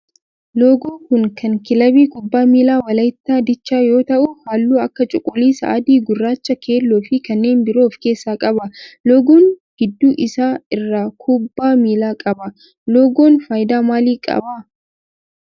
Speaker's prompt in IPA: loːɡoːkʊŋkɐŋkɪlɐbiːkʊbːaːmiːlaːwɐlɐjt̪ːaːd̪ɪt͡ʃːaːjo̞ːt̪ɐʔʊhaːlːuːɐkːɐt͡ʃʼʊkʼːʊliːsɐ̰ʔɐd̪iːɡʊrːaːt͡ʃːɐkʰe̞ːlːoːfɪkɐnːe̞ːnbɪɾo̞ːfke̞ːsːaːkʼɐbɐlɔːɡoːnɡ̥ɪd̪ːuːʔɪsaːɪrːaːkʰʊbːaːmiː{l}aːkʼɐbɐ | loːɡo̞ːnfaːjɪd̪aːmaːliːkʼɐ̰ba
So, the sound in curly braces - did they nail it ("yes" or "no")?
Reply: yes